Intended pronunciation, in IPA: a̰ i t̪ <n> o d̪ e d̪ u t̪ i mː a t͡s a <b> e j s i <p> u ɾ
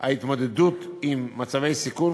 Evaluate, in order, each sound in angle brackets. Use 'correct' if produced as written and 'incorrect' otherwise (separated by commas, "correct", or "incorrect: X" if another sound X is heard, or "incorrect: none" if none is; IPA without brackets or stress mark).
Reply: incorrect: m, incorrect: v, incorrect: k